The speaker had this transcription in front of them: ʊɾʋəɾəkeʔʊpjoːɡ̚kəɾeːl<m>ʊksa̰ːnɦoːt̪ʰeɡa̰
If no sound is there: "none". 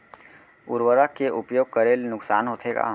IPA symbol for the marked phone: n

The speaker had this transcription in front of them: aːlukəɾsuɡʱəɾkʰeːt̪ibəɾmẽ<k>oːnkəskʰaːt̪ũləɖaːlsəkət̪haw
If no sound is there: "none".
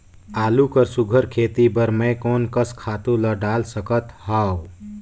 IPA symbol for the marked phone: k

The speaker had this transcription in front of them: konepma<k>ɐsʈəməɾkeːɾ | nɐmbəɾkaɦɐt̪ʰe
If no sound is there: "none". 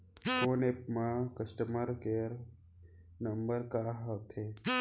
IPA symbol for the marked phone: k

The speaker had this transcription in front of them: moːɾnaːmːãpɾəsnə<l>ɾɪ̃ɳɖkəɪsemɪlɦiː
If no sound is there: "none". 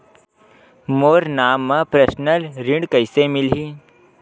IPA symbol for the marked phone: l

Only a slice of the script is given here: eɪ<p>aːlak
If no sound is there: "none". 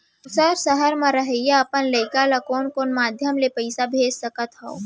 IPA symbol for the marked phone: k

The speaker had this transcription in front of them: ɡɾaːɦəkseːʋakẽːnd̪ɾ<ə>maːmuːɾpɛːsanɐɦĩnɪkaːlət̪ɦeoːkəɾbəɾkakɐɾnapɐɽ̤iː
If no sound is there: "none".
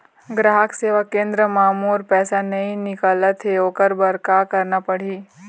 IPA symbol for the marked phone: ə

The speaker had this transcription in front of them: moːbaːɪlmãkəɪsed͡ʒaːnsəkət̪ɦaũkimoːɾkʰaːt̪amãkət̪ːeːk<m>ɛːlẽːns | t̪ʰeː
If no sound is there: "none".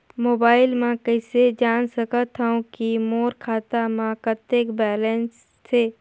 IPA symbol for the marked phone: b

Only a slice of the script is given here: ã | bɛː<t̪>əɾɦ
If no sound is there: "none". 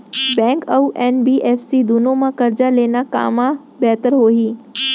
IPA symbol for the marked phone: t̪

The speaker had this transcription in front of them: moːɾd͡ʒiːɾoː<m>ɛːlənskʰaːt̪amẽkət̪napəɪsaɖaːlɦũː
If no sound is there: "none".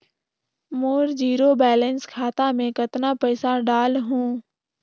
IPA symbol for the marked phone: b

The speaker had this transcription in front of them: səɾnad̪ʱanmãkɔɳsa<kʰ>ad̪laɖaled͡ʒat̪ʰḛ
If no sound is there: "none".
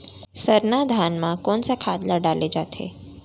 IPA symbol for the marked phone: kʰ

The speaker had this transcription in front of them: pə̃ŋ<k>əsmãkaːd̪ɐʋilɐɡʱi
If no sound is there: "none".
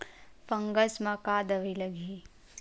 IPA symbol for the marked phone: ɡ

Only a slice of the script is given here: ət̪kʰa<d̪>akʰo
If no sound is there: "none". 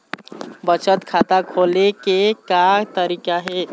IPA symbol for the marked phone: t̪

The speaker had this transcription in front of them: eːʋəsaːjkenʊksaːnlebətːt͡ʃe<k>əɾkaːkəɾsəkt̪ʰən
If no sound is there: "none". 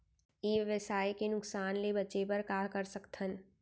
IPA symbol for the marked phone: p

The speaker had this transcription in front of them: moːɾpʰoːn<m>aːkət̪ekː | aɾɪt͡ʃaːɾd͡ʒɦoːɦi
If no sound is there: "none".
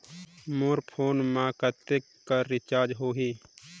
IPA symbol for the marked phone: m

